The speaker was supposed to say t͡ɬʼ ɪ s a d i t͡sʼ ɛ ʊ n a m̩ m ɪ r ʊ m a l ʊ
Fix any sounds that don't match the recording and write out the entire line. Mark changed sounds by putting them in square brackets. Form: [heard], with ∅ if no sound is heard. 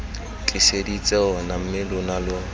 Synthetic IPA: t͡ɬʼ ɪ s [e] d i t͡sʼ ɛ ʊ n a m̩ m ɪ [l] ʊ [n] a l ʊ